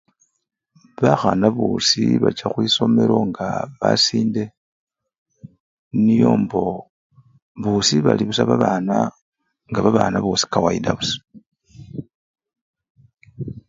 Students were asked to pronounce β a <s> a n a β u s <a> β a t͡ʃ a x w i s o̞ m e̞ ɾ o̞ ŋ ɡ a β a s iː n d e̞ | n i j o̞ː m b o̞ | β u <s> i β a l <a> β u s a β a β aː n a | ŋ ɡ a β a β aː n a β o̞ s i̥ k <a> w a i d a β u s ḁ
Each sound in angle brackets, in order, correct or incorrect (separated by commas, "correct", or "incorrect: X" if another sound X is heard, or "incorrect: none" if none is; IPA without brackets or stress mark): incorrect: x, incorrect: i, correct, incorrect: i, correct